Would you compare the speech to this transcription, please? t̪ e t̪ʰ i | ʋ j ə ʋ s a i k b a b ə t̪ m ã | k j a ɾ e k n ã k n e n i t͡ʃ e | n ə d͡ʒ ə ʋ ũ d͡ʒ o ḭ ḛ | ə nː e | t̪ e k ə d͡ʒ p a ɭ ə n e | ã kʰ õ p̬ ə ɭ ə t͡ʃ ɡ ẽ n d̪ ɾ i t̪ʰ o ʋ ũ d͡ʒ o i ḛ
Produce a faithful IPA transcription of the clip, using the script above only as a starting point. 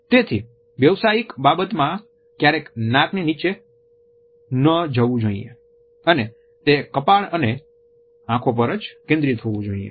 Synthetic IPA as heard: t̪ e t̪ʰ i | ʋ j ə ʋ s a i k b a b ə t̪ m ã | k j a ɾ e k n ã k n e n i t͡ʃ e | n ə d͡ʒ ə ʋ ũ d͡ʒ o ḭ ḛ | ə n e | t̪ e k ə p a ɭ ə n e | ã kʰ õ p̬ ə ɾ ə t͡ʃ k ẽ n d̪ ɾ i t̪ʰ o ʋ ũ d͡ʒ o i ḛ